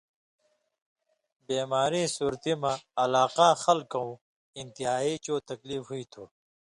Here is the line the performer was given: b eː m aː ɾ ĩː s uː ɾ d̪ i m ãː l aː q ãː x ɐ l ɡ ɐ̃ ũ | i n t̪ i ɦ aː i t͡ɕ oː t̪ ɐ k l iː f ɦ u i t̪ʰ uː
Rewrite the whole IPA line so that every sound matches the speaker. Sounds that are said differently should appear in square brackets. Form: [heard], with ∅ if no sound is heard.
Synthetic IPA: b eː m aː ɾ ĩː s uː ɾ [t̪] i m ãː l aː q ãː x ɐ l [k] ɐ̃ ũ | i n t̪ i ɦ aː i t͡ɕ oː t̪ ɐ k l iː f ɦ u i t̪ʰ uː